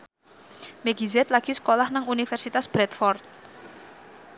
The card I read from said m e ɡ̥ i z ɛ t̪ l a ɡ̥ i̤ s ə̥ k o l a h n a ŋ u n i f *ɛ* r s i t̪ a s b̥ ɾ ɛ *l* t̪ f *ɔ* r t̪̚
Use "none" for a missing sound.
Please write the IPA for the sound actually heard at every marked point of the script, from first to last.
ɛ, none, ɔ

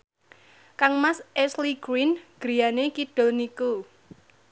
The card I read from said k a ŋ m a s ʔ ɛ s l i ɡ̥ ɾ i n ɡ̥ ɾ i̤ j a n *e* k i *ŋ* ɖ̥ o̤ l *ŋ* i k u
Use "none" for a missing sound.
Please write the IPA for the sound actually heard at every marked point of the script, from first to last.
e, none, n

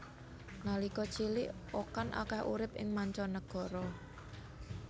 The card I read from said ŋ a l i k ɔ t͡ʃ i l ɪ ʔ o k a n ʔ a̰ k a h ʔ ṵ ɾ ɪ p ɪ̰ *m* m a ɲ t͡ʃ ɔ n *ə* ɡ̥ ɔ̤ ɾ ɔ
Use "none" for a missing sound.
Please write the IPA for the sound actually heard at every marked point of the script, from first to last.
ŋ, ə

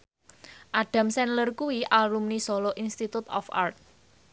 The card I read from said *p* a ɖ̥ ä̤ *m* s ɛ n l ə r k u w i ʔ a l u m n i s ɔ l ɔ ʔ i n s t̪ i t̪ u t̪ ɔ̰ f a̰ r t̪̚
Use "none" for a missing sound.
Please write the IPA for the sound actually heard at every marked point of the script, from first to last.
ʔ, m

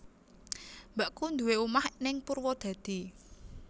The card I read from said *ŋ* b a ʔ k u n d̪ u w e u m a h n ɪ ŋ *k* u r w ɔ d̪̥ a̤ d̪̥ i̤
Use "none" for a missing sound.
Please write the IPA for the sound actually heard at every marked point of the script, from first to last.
m, p

